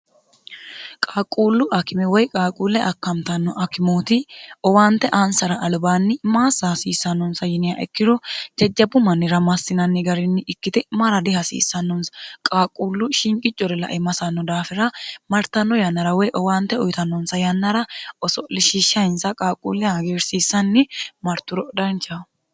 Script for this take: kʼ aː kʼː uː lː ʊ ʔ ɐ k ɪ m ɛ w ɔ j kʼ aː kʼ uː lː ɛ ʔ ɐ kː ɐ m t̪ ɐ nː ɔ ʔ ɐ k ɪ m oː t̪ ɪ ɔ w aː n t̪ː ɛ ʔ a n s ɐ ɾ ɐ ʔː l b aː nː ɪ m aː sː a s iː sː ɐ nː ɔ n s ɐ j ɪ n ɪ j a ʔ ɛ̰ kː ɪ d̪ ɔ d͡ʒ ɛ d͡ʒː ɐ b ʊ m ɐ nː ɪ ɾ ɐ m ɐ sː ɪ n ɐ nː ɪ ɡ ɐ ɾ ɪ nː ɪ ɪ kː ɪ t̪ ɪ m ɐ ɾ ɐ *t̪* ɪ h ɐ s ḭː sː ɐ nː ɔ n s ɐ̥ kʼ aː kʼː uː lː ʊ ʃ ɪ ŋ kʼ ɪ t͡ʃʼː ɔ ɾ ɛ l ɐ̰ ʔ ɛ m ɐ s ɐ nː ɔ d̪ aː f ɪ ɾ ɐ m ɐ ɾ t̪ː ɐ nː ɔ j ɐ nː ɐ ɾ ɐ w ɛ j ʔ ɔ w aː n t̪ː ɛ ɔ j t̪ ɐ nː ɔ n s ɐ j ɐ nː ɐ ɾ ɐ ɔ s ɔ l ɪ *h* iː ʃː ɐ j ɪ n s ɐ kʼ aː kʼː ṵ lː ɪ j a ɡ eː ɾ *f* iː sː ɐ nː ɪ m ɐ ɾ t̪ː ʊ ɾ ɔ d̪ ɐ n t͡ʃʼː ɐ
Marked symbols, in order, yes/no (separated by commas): no, no, no